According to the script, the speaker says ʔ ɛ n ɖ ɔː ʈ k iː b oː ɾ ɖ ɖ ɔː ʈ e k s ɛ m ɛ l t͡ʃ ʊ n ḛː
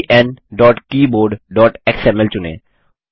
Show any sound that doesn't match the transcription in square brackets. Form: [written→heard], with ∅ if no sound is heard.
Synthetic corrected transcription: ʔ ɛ n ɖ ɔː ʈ k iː b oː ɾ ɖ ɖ ɔː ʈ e k s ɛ m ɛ l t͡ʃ ʊ n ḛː